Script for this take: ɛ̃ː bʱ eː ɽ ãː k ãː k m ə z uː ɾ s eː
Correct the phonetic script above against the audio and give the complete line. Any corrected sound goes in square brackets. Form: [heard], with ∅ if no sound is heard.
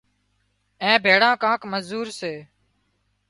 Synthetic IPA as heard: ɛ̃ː bʱ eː ɽ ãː k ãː k m ə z uː ɾ s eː